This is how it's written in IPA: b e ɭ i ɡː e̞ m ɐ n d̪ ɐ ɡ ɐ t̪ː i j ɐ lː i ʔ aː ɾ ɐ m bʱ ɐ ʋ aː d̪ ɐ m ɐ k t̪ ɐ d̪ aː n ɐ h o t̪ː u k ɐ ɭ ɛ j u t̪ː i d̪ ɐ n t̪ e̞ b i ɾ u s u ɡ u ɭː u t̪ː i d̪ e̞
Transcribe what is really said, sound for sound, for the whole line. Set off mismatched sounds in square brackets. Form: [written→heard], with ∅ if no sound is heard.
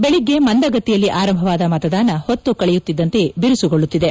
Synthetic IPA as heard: b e ɭ i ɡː e̞ m ɐ n d̪ ɐ ɡ ɐ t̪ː i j ɐ lː i ʔ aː ɾ ɐ m bʱ ɐ ʋ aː d̪ ɐ m ɐ [k→∅] t̪ ɐ d̪ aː n ɐ h o t̪ː u k ɐ ɭ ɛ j u t̪ː i [d̪→d̪ː] ɐ n t̪ e̞ b i ɾ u s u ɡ [u→o] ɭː u t̪ː i d̪ e̞